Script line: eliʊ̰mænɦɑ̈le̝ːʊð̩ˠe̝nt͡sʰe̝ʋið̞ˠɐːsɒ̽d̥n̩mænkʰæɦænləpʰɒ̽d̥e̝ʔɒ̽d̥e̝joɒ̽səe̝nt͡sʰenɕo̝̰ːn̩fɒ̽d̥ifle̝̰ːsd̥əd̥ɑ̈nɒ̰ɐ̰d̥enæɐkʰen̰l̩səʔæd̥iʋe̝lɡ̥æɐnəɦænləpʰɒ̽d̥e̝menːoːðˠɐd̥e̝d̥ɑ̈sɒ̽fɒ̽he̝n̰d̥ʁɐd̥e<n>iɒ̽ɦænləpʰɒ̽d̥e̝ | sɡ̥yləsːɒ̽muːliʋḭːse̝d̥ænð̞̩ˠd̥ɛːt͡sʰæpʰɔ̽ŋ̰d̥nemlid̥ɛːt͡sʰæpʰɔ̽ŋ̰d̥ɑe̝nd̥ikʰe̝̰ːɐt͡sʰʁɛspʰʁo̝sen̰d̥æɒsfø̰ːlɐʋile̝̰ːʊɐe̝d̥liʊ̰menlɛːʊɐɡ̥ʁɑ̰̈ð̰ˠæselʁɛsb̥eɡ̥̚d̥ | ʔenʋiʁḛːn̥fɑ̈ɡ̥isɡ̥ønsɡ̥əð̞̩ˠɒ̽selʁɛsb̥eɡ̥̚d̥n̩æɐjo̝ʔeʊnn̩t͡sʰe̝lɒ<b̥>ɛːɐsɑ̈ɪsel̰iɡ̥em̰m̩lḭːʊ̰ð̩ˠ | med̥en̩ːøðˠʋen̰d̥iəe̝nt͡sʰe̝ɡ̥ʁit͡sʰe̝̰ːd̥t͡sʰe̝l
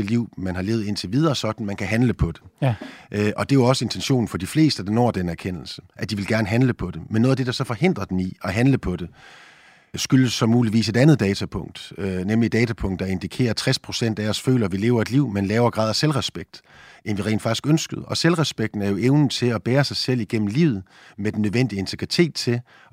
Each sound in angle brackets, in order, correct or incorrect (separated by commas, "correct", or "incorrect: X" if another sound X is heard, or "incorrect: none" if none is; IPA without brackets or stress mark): correct, correct